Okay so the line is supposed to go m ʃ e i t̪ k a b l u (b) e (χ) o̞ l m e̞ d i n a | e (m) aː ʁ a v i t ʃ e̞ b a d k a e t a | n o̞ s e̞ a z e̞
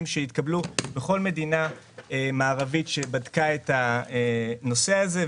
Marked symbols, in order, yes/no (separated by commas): yes, yes, yes